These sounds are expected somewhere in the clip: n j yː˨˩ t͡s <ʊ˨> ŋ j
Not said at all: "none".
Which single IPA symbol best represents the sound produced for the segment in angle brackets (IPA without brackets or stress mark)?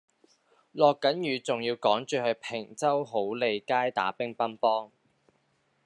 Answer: ʊ˨